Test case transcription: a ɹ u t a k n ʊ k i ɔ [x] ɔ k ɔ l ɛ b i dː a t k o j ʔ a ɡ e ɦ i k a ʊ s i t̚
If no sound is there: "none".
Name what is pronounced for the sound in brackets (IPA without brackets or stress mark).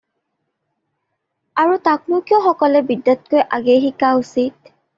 x